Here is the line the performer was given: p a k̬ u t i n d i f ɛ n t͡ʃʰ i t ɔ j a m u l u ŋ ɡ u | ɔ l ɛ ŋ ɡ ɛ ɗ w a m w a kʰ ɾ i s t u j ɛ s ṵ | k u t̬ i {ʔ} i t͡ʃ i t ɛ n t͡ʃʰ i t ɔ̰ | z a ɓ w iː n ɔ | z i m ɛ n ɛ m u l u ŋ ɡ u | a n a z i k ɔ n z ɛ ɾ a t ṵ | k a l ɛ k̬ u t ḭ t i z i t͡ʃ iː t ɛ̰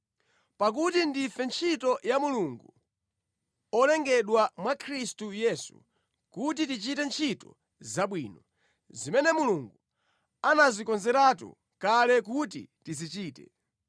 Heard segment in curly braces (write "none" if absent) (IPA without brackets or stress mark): t